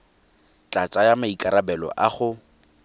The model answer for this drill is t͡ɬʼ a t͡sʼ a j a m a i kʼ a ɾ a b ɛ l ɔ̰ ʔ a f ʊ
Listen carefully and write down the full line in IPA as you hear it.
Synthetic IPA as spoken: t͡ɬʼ a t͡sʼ a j a m a i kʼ a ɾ a b ɛ l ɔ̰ ʔ a χ ʊ